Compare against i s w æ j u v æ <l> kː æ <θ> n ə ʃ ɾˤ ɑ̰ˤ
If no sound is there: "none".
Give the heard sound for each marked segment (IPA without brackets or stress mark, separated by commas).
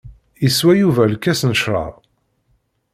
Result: l, s